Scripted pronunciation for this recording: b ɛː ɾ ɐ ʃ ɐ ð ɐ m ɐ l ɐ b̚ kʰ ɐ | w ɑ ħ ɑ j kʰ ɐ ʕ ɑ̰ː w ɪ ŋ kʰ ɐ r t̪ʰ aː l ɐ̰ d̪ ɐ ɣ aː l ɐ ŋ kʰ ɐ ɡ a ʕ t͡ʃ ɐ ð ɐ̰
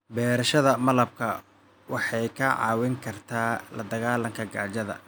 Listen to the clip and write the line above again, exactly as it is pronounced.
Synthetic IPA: b ɛː ɾ ɐ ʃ ɐ ð ɐ m ɐ l ɐ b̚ kʰ ɐ | w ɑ ħ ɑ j kʰ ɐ ʕ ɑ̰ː w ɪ ŋ kʰ ɐ r t̪ʰ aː l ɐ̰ d̪ ɐ ɣ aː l ɐ ŋ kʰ ɐ ɡ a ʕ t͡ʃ ɐ ð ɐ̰